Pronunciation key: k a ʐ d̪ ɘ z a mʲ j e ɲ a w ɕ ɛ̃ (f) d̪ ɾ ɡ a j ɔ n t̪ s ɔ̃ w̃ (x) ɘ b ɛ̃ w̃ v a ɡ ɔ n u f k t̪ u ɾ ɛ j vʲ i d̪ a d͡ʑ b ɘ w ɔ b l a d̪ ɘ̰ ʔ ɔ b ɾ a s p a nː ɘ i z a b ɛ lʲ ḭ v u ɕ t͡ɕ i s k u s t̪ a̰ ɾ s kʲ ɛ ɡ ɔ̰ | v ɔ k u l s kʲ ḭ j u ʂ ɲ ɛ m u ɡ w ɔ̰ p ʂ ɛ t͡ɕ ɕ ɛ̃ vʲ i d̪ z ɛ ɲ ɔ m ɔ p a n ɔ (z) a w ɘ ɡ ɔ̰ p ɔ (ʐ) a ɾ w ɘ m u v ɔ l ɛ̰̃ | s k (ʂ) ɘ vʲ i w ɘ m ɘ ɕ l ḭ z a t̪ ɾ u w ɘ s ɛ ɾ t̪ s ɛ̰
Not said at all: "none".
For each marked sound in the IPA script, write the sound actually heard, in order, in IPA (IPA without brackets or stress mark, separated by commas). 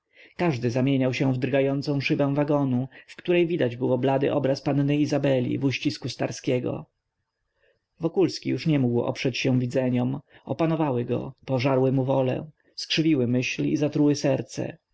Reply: v, ʂ, v, ʐ, ʂ